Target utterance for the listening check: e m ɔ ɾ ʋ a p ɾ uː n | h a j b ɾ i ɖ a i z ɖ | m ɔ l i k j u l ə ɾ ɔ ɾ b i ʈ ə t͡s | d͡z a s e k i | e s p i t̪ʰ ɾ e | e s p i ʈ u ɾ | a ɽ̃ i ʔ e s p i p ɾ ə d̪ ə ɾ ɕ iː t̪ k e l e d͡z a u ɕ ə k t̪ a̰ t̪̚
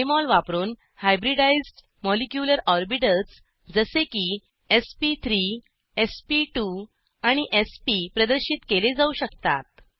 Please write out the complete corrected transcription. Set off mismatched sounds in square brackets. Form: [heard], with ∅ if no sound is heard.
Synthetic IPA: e m ɔ [l] ʋ a p ɾ uː n | h a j b ɾ i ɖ a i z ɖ | m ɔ l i k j u l ə ɾ ɔ ɾ b i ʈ ə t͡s | d͡z [ə] s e k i | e s p i t̪ʰ ɾ [i] | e s p i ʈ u [∅] | a ɽ̃ i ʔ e s p i p ɾ ə d̪ ə ɾ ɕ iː t̪ k e l e d͡z a u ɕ ə k t̪ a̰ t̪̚